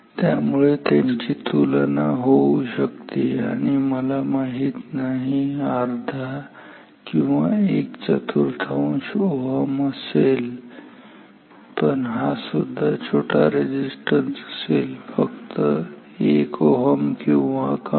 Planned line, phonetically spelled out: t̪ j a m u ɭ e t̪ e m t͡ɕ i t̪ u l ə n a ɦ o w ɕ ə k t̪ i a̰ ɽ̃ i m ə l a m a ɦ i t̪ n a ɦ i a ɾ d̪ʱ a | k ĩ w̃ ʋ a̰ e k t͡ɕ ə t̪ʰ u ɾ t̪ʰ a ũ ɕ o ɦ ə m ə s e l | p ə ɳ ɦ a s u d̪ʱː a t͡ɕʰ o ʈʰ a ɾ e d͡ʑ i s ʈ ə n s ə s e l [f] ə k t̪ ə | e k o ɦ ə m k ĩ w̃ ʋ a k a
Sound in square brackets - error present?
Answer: no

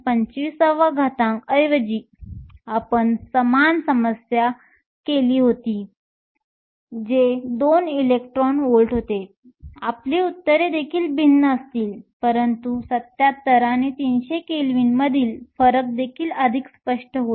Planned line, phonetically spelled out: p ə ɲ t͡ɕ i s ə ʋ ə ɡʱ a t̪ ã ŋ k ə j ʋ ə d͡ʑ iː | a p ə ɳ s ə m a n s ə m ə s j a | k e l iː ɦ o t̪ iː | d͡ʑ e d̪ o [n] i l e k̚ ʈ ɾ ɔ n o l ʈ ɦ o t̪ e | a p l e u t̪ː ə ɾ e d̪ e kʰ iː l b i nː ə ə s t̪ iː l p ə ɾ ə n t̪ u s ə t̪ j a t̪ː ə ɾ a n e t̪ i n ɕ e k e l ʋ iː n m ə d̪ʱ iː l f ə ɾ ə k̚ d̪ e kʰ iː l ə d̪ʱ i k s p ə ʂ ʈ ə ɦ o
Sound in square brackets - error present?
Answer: no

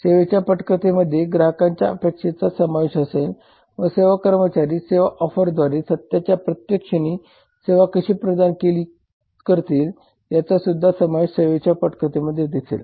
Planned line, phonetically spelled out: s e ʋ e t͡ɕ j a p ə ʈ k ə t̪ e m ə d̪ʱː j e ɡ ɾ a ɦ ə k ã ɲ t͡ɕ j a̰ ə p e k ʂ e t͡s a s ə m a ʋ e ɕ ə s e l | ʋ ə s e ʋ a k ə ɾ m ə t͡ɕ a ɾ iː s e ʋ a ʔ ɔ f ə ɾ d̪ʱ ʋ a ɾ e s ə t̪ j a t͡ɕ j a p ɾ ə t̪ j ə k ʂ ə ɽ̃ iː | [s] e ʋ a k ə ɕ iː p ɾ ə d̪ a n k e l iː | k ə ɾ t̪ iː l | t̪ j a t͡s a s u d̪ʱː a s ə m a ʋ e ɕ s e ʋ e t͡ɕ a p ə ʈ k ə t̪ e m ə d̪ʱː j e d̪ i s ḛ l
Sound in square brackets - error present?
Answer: no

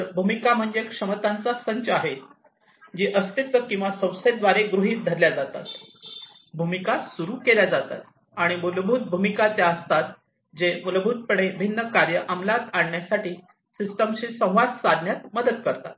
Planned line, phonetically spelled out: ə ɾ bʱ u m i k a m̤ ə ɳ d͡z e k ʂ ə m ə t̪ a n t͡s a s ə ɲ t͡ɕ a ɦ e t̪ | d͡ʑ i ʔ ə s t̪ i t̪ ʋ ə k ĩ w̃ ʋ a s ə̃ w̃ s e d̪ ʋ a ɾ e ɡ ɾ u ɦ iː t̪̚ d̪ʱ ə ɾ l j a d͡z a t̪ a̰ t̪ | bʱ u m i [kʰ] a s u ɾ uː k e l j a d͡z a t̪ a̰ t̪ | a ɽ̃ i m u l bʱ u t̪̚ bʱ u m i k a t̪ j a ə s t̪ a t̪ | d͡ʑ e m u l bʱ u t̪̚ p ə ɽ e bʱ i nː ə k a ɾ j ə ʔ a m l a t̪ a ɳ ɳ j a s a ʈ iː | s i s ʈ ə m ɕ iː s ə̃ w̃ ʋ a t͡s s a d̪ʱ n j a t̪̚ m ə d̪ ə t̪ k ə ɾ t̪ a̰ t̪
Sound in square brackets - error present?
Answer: yes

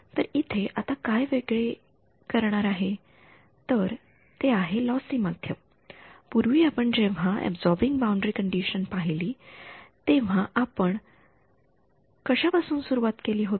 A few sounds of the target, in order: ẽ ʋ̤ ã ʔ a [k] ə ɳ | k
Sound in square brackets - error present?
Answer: yes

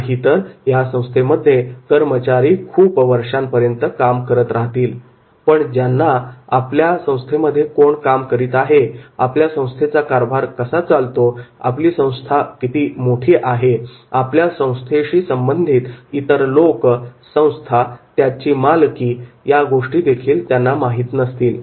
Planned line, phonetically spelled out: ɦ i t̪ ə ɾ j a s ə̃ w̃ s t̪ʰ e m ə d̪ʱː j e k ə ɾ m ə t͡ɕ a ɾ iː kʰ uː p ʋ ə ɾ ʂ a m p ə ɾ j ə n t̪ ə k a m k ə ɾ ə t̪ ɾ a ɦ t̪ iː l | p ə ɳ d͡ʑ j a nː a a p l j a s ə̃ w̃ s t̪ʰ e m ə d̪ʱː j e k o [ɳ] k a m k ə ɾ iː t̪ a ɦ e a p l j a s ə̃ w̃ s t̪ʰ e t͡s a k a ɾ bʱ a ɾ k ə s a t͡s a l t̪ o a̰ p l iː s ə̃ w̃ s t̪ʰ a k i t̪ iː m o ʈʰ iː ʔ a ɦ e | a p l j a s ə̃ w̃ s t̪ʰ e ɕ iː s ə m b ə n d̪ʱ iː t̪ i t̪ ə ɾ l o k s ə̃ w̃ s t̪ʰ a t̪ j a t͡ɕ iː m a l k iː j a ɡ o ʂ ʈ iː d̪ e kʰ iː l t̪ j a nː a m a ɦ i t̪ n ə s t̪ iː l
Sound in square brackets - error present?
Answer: no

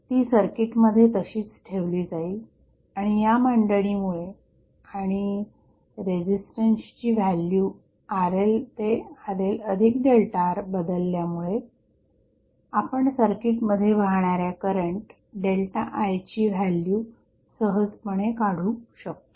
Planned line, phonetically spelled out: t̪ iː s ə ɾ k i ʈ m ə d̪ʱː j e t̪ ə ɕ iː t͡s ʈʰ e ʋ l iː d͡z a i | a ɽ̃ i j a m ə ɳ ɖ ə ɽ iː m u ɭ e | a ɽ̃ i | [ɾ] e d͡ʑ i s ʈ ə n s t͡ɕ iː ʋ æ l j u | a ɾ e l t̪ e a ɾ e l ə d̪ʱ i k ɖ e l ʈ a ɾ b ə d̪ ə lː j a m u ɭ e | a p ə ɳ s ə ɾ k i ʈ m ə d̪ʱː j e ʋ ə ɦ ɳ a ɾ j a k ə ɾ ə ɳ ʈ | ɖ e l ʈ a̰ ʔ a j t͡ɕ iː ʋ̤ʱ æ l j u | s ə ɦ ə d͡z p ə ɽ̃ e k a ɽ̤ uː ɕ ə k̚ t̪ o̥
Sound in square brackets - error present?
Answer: no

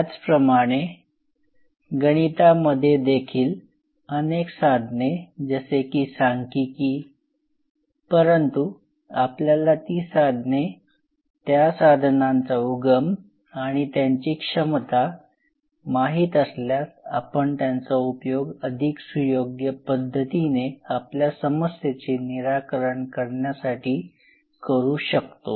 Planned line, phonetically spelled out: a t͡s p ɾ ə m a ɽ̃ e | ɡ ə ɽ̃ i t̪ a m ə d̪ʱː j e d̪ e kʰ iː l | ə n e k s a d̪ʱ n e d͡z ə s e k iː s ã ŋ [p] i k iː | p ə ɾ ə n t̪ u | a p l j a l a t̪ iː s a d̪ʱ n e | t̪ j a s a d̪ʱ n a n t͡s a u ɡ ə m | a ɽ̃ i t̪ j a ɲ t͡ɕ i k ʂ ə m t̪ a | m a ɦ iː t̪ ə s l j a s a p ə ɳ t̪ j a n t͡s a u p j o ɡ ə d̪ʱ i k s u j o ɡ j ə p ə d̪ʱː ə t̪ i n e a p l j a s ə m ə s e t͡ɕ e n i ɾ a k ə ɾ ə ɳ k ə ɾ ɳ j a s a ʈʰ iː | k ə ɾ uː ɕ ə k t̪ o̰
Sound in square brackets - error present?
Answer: yes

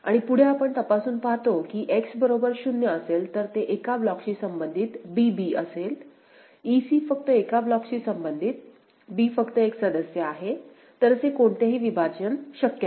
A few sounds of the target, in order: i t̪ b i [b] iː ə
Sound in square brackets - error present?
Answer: no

